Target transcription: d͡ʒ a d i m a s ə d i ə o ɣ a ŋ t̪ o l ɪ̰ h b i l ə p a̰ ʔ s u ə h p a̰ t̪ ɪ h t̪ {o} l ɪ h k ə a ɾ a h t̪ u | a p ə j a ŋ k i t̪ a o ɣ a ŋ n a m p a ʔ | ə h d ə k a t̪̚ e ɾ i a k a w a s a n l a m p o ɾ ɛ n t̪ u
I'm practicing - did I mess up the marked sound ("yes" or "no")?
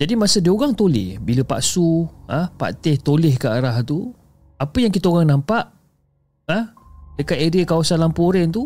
no